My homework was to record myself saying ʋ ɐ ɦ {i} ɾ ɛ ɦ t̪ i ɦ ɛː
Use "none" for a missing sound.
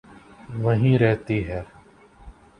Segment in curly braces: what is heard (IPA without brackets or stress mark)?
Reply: ĩ